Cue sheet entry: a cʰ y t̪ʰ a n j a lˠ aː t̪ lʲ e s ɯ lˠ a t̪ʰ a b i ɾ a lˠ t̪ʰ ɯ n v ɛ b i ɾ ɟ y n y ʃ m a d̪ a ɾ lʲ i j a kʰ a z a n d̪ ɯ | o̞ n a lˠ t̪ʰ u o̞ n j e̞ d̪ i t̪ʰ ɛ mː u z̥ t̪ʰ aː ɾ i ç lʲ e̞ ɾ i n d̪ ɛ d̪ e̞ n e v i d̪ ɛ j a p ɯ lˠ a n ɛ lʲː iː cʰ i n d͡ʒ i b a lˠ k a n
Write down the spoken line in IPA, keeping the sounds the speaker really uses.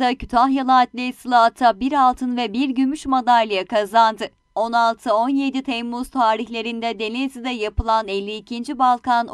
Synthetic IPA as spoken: a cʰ y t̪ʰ a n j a lˠ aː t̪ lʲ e s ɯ lˠ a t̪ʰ a b i ɾ a lˠ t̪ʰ ɯ n v ɛ b i ɾ ɟ y m y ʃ m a d̪ a ɾ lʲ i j a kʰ a z a n d̪ ɯ | o̞ n a lˠ t̪ʰ ɯ o̞ n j e̞ d̪ i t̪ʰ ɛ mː u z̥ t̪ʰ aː ɾ i ç lʲ e̞ ɾ i n d̪ ɛ d̪ e̞ n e z i d̪ ɛ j a p ɯ lˠ a n ɛ lʲː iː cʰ i n d͡ʒ i b a lˠ k a n